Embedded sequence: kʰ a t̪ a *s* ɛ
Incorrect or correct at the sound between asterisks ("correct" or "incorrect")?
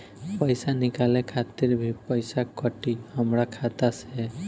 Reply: correct